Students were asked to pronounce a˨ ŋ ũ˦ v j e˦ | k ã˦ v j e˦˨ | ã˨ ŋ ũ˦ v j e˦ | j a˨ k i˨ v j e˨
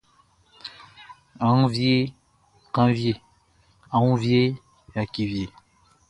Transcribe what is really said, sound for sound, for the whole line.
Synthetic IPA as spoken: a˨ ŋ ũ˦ v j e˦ | k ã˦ v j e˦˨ | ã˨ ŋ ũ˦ v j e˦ | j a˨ k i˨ v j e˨